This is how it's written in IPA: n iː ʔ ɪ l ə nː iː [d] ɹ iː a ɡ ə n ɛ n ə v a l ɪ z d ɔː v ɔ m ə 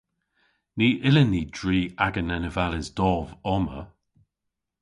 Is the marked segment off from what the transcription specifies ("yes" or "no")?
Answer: no